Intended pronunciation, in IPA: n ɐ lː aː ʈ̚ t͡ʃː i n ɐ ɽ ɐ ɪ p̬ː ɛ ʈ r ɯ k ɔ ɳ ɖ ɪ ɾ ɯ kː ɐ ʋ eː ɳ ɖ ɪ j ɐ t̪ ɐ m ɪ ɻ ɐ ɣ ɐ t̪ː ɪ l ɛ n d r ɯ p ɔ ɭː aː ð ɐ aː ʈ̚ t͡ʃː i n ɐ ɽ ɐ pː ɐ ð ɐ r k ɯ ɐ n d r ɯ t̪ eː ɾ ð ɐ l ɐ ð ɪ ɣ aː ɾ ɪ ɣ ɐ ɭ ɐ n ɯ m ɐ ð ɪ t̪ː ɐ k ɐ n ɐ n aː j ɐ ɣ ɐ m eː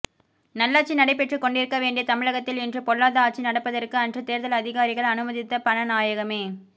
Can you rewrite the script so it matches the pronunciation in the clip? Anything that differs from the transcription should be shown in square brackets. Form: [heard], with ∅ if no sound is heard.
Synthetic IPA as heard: n ɐ lː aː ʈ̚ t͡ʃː i n ɐ ɽ ɐ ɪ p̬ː ɛ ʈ r ɯ k ɔ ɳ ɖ ɪ ɾ ɯ kː ɐ ʋ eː ɳ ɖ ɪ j ɐ t̪ ɐ m ɪ ɻ ɐ ɣ ɐ t̪ː ɪ l ɛ n d r ɯ p ɔ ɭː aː ð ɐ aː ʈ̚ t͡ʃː i n ɐ ɽ ɐ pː ɐ ð ɐ r k ɯ ɐ n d r ɯ t̪ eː ɾ ð ɐ l ɐ ð ɪ ɣ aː ɾ ɪ ɣ ɐ ɭ ɐ n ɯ m ɐ ð ɪ t̪ː ɐ [p] ɐ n ɐ n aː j ɐ ɣ ɐ m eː